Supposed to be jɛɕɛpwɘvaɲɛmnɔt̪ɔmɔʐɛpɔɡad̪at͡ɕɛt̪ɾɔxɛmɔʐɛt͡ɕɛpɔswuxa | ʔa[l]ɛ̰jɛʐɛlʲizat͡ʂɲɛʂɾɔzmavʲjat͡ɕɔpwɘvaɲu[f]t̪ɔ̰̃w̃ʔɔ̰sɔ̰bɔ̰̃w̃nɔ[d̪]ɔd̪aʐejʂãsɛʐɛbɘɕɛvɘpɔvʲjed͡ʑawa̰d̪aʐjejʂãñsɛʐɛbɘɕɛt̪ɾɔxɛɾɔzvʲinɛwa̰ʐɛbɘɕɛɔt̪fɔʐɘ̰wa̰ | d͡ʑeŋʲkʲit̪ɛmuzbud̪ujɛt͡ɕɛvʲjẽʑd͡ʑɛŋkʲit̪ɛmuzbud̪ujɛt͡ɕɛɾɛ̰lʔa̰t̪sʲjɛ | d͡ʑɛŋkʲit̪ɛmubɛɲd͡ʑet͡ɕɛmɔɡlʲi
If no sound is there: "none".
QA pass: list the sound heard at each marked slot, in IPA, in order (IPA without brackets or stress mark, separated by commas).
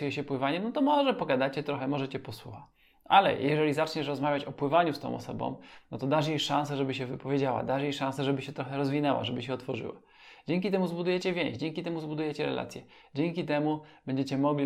l, s, t̪